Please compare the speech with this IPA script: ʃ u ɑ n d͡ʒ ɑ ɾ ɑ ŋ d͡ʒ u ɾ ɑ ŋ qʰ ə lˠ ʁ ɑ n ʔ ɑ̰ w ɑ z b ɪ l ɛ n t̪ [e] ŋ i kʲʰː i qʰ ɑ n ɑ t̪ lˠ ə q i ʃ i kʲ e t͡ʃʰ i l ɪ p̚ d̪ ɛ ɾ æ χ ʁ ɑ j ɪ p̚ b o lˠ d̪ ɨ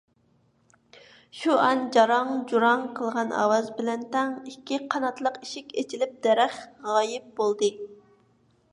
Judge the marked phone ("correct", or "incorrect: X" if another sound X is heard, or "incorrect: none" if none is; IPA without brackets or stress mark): incorrect: ɛ